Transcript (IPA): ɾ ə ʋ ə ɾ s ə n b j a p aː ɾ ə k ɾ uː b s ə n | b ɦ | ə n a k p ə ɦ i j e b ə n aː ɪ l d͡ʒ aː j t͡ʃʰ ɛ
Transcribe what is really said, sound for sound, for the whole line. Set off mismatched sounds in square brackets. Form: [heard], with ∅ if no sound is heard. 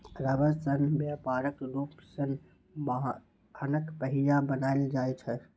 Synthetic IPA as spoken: ɾ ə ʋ ə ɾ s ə n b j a p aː ɾ ə k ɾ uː [p] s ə n | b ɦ | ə n [ə] k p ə ɦ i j [a] b ə n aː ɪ l d͡ʒ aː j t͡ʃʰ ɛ